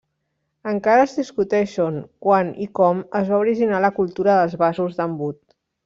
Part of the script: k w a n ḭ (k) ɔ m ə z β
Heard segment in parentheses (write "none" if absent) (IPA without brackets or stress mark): k